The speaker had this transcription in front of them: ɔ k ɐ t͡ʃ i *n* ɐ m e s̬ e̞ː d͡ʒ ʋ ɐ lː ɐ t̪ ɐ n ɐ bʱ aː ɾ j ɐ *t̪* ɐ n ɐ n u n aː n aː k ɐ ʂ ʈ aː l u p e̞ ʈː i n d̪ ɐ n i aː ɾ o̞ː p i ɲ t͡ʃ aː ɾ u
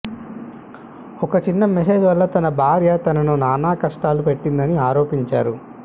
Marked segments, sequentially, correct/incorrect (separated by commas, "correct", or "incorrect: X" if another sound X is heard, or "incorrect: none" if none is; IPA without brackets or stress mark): incorrect: nː, correct